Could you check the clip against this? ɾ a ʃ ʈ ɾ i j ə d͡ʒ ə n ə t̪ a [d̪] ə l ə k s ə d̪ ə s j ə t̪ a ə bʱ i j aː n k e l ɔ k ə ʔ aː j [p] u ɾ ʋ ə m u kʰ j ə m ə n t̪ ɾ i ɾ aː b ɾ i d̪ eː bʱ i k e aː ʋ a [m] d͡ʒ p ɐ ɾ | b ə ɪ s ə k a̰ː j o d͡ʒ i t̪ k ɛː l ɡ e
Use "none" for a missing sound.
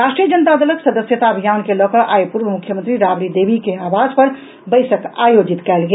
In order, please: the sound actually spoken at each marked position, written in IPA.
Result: d̪, p, none

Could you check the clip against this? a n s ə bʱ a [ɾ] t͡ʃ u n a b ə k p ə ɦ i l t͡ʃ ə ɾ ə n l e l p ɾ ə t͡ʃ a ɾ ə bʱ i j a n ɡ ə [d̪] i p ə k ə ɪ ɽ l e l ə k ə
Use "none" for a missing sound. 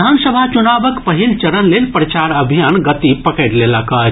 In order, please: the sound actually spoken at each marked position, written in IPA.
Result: none, t̪

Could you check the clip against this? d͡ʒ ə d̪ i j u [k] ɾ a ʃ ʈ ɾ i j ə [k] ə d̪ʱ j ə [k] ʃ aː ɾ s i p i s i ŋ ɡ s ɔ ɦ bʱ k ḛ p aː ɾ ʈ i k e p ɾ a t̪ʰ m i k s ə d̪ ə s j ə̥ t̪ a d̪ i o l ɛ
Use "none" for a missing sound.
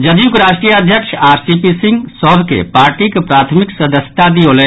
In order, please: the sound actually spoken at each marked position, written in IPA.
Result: k, none, k

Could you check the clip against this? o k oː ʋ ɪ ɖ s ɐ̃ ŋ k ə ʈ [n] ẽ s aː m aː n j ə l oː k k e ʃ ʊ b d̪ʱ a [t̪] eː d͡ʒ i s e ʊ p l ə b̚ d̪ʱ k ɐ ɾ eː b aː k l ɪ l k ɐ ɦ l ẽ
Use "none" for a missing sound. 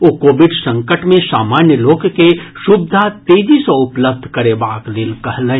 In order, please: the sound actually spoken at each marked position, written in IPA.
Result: m, t̪

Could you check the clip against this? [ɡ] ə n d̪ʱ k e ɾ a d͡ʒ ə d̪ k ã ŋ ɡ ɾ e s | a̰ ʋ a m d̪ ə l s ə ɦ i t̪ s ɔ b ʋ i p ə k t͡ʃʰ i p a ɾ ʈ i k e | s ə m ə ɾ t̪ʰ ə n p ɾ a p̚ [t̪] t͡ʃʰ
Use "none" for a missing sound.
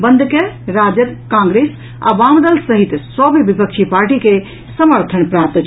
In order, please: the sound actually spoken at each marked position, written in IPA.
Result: b, t̪

